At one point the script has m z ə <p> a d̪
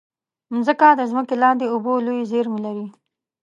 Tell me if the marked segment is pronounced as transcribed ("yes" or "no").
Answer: no